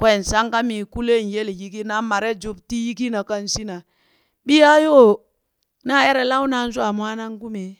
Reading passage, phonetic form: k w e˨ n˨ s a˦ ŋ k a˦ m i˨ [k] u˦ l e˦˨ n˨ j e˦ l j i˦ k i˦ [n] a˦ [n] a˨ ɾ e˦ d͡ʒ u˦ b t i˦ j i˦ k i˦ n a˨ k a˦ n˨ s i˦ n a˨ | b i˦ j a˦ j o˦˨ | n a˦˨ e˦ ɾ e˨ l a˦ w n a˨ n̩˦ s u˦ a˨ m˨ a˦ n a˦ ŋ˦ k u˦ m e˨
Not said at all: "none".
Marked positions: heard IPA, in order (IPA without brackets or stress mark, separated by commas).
k, n, m